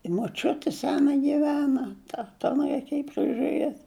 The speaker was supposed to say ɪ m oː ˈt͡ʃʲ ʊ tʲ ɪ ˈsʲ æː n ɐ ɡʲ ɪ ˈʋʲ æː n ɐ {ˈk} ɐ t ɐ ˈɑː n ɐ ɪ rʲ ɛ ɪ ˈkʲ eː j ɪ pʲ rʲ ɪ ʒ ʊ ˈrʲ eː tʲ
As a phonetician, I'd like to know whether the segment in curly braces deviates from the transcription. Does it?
yes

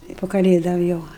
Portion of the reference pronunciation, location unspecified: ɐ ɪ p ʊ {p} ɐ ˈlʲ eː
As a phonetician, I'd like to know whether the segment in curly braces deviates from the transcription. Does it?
yes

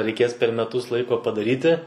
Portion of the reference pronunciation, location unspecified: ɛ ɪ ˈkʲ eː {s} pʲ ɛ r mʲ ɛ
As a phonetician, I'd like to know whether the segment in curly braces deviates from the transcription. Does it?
no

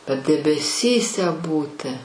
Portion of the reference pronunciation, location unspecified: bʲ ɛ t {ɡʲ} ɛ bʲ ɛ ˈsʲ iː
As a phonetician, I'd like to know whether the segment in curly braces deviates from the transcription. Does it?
yes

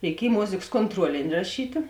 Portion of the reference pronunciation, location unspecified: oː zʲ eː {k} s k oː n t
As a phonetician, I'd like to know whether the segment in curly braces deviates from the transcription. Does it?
no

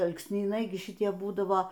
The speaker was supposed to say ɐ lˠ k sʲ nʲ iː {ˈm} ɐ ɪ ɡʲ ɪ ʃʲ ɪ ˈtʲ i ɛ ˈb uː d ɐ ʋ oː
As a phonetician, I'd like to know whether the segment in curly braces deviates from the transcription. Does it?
yes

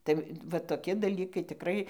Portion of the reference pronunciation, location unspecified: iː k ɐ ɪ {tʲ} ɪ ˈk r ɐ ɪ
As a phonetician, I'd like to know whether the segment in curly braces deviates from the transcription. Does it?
no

